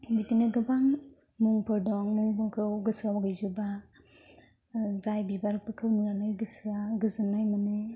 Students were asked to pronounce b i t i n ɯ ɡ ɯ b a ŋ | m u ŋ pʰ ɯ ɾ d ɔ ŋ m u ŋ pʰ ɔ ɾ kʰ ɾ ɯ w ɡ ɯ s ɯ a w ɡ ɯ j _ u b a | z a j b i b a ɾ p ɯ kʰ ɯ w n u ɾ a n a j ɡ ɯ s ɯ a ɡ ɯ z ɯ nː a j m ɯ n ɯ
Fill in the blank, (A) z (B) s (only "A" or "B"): A